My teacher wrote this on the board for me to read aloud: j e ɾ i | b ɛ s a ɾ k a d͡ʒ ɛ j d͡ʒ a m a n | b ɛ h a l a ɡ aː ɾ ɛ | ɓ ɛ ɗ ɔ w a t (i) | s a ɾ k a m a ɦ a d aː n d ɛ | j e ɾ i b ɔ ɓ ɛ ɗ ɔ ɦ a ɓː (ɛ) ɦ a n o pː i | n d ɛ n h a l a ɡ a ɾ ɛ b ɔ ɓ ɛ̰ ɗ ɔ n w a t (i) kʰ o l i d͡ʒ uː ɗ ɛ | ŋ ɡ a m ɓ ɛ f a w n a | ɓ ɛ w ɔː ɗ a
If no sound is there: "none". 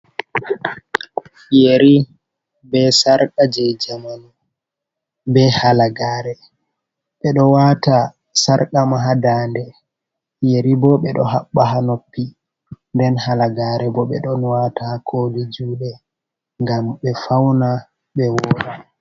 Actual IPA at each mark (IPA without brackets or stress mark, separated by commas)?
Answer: a, a, a